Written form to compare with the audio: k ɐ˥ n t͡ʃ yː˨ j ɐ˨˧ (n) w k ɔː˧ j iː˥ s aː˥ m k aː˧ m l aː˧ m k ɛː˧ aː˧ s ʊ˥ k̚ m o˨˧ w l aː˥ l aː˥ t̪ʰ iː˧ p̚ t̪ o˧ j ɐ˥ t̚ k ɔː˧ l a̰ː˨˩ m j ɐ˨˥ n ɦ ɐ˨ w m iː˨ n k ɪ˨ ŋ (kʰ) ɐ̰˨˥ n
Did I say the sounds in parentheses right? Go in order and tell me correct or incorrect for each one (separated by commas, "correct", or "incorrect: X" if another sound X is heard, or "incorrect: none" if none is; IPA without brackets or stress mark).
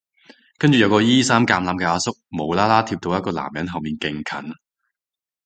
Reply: incorrect: none, correct